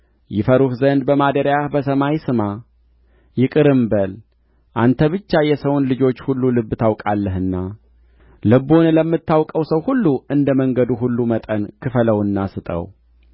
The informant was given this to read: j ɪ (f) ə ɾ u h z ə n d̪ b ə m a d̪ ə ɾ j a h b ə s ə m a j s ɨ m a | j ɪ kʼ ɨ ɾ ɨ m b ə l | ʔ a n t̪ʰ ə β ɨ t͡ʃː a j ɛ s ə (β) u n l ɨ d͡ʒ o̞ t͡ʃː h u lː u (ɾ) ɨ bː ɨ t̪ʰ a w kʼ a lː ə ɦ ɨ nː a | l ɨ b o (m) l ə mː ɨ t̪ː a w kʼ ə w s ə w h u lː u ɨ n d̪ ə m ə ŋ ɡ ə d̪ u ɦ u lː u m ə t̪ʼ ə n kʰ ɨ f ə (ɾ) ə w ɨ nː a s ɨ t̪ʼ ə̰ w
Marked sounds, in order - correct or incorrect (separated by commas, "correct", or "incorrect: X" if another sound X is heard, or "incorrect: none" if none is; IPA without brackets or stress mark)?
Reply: correct, incorrect: w, incorrect: l, incorrect: n, incorrect: l